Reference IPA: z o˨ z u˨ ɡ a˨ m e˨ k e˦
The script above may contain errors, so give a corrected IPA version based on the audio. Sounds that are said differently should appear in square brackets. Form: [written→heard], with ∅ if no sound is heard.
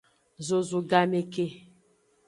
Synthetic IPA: z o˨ z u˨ ɡ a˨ m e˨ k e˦